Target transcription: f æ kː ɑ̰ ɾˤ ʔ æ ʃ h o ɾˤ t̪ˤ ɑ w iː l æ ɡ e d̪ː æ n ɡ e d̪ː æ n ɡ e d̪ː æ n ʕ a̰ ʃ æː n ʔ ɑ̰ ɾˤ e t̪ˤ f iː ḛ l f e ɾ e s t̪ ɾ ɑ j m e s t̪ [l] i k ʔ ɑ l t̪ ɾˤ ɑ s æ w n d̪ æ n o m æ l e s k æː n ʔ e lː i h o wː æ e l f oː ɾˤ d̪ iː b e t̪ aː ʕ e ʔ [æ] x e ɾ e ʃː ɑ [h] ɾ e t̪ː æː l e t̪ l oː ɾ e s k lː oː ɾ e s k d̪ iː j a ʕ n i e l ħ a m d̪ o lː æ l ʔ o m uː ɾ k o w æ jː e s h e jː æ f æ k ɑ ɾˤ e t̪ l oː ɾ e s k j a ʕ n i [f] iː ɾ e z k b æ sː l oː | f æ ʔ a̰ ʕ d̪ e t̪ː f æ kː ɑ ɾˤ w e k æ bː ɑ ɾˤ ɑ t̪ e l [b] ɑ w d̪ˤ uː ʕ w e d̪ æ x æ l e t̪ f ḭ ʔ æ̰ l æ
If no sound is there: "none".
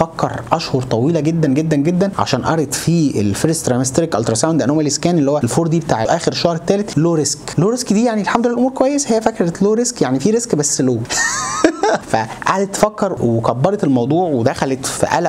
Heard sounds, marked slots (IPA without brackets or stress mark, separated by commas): ɾ, æː, h, f, m